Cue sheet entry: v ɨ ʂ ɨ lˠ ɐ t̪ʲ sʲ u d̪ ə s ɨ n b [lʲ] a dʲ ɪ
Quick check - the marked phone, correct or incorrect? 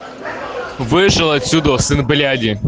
correct